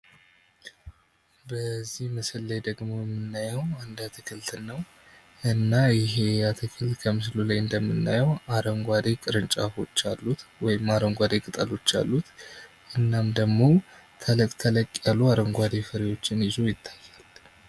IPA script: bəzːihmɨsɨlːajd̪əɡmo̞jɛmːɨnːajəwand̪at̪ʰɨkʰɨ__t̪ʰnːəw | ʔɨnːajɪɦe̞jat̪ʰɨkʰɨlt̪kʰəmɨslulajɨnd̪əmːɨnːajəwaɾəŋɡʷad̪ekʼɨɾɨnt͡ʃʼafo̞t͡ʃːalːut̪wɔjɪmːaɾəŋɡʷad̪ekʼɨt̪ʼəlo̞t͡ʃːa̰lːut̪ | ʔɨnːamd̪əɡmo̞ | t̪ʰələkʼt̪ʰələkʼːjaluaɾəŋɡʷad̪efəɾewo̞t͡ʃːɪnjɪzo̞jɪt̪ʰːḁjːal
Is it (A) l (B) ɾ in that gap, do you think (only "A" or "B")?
A